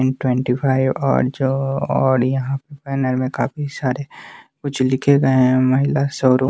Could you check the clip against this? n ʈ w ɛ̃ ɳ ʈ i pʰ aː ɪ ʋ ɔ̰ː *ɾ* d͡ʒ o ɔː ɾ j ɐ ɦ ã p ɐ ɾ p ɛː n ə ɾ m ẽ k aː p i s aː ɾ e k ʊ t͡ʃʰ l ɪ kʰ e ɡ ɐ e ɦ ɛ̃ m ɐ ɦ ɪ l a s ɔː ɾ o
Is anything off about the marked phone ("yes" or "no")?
no